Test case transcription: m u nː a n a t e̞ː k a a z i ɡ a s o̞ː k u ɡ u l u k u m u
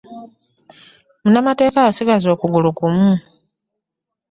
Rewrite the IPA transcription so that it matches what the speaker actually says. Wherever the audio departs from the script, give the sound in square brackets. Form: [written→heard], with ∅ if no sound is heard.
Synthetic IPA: m u [nː→n] a [n→m] a t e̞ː k a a [z→s] i ɡ a [s→z] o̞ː k u ɡ u l u k u m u